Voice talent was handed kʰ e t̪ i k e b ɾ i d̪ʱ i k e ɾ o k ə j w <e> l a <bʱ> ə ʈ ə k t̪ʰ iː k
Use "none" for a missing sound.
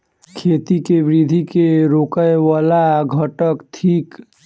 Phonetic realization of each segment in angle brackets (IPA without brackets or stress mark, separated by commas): a, ɡʱ